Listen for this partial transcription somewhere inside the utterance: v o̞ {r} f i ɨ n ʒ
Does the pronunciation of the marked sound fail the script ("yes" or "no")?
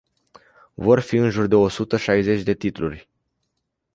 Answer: no